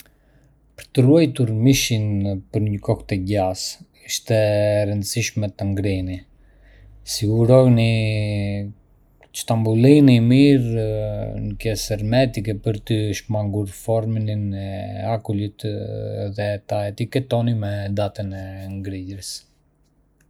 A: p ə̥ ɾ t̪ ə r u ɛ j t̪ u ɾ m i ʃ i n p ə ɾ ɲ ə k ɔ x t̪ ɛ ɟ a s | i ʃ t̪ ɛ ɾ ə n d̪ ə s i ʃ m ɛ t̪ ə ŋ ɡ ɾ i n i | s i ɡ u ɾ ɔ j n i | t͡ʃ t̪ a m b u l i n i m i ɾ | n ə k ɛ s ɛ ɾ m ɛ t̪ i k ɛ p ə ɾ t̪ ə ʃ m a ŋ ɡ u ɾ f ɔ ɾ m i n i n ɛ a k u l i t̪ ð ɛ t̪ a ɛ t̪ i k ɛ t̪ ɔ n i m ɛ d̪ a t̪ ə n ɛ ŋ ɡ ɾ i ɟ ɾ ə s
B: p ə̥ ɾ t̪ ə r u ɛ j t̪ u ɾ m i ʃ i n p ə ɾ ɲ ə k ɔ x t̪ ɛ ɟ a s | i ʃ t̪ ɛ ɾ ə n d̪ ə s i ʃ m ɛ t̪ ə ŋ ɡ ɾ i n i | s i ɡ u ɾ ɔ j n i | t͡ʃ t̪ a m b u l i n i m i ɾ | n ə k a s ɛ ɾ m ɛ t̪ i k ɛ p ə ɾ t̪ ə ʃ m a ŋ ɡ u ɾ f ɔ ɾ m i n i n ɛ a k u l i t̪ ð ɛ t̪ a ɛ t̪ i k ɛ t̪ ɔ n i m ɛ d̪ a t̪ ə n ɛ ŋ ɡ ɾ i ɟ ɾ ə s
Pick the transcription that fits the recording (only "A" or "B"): A